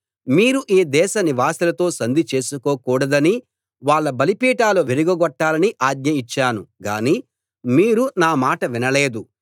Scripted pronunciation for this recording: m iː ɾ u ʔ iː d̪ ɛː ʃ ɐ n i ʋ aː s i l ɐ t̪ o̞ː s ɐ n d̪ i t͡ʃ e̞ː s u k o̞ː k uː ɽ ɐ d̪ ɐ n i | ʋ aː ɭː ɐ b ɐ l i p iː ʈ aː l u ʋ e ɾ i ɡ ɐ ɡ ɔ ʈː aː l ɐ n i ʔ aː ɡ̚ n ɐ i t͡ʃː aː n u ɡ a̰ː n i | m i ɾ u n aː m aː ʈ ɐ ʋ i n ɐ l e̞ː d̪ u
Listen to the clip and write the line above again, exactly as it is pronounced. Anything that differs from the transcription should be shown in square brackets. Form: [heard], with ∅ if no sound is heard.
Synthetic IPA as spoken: m iː ɾ u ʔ iː d̪ ɛː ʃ ɐ n i ʋ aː s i l ɐ t̪ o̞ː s ɐ n d̪ i t͡ʃ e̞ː s u k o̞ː k uː ɽ ɐ d̪ ɐ n i | ʋ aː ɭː ɐ b ɐ l i p iː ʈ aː l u ʋ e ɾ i ɡ ɐ ɡ ɔ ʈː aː l ɐ n i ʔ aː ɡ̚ [ɲ] ɐ i t͡ʃː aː n u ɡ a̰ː n i | m [iː] ɾ u n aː m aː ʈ ɐ ʋ i n ɐ l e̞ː d̪ u

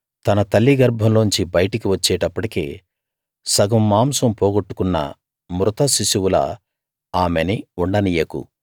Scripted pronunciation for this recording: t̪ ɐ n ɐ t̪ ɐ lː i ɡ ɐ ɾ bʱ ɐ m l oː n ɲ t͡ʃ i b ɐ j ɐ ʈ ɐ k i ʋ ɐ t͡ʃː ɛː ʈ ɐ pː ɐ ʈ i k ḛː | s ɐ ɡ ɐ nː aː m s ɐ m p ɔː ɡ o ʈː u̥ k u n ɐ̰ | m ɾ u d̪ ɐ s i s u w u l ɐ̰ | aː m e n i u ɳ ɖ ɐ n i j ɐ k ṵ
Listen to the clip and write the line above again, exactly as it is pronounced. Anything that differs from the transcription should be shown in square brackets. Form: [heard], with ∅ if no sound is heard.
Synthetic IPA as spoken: t̪ ɐ n ɐ t̪ ɐ lː i ɡ ɐ ɾ bʱ ɐ m l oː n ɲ t͡ʃ i b ɐ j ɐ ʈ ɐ k i ʋ ɐ t͡ʃː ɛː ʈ ɐ pː ɐ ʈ i k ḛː | s ɐ ɡ ɐ [mː] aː m s ɐ m p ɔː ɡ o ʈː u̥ k u [nː] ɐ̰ | m ɾ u [t̪] ɐ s i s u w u l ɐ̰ | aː m e n i u ɳ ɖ ɐ n i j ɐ k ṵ

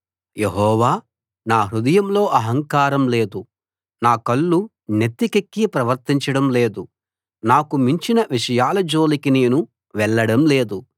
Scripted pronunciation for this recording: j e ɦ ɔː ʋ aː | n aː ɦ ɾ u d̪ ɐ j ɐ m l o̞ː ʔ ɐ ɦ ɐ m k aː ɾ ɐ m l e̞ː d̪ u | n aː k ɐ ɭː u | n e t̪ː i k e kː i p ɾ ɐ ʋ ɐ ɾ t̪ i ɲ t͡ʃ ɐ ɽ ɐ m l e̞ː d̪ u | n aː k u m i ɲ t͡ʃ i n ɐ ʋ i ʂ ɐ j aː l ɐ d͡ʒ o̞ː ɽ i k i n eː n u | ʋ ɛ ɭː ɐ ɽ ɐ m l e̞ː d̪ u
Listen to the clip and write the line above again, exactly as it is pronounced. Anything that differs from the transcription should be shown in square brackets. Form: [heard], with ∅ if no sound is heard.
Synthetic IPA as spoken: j e ɦ ɔː ʋ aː | n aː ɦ ɾ u d̪ ɐ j ɐ m l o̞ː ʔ ɐ ɦ ɐ [ŋ] k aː ɾ ɐ m l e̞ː d̪ u | n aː k ɐ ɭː u | n e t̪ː i k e kː i p ɾ ɐ ʋ ɐ ɾ t̪ i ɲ t͡ʃ ɐ ɽ ɐ m l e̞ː d̪ u | n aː k u m i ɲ t͡ʃ i n ɐ ʋ i ʂ ɐ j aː l ɐ d͡ʒ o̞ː [l] i k i n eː n u | ʋ ɛ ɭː ɐ ɽ ɐ m l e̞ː d̪ u

